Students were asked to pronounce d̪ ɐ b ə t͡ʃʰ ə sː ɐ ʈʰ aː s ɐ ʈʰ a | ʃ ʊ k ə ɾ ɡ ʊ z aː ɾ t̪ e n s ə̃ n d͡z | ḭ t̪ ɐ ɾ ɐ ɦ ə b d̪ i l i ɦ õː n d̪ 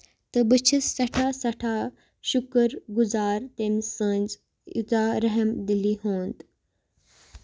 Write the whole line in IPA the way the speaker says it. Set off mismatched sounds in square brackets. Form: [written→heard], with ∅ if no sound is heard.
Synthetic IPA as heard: [d̪→t̪] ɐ b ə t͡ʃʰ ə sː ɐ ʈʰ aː s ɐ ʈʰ a | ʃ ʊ k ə ɾ ɡ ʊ z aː ɾ t̪ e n s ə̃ n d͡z | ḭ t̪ [ɐ→a] ɾ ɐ ɦ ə [b→m] d̪ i l i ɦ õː n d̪